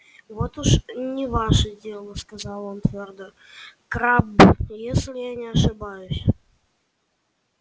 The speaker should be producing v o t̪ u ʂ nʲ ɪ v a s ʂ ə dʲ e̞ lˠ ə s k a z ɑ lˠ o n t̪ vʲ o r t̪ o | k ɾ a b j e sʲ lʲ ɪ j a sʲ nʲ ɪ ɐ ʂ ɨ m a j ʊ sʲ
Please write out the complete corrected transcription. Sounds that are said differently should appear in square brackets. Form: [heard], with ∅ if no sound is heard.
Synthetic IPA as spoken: v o t̪ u ʂ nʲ ɪ v a [∅] ʂ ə dʲ e̞ lˠ ə s k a z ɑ lˠ o n t̪ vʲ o r [d̪] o | k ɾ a b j e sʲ lʲ ɪ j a [∅] nʲ ɪ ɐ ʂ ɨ [b] a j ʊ sʲ